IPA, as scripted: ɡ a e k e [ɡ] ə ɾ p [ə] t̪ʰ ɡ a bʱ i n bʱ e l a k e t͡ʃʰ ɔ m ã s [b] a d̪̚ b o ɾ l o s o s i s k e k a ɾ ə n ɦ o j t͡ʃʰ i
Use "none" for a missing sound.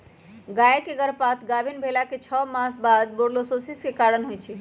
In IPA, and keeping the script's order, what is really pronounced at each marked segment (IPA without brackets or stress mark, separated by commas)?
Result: ɡ, a, b